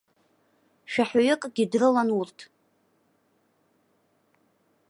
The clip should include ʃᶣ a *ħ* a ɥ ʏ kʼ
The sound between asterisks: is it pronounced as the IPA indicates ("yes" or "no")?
yes